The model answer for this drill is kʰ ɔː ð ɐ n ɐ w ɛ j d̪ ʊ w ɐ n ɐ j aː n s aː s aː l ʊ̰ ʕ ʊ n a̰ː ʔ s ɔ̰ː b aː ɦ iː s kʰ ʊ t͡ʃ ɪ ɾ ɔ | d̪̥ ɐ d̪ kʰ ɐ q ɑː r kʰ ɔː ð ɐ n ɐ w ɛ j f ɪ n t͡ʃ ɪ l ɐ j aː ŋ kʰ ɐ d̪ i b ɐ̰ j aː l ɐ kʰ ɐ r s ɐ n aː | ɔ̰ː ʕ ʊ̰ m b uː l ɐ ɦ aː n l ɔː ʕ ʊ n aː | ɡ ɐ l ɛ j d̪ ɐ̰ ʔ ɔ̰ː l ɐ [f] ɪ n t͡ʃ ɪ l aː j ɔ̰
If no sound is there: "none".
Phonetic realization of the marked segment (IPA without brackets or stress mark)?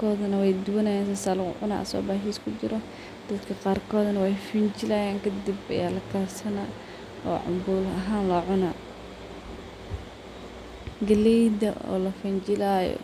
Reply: f